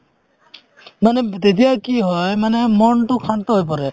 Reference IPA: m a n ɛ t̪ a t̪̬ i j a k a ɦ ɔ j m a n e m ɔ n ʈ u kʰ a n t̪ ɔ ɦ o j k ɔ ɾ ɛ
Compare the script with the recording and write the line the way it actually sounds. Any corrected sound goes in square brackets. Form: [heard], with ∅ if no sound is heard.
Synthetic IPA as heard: m a n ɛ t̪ [e] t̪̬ i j a k [i] ɦ ɔ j m a n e m ɔ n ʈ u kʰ a n t̪ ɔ ɦ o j [p] ɔ ɾ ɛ